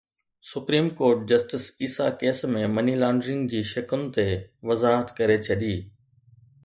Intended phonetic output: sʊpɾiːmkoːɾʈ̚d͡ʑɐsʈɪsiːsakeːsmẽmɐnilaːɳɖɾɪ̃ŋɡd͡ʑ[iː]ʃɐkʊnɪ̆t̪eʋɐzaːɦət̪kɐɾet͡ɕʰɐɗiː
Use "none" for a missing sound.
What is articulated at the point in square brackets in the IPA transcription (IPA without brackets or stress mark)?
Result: iː